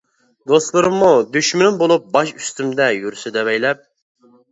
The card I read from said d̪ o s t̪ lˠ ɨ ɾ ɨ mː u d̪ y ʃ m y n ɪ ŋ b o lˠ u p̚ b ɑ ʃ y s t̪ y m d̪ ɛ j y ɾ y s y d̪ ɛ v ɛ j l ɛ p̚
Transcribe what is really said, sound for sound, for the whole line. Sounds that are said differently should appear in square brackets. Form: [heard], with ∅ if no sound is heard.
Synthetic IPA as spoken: d̪ o s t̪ lˠ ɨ ɾ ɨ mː u d̪ y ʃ m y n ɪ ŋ b o lˠ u p̚ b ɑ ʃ y s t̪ y m d̪ ɛ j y ɾ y s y d̪ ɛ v ɛ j l ɛ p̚